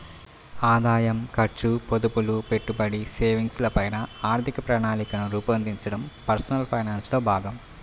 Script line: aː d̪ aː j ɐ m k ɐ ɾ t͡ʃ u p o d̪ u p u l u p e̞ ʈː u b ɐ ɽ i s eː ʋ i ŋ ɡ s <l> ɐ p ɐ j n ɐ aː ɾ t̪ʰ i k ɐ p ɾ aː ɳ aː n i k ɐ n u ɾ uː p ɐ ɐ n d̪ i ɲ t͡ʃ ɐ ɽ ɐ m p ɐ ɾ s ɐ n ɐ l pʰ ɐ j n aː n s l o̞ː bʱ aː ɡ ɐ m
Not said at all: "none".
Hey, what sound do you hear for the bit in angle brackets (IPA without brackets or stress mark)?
l